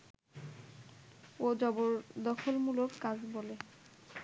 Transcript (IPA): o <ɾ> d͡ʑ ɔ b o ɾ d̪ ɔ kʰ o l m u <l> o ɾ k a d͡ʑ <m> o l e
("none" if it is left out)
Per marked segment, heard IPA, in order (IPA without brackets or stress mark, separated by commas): none, l, b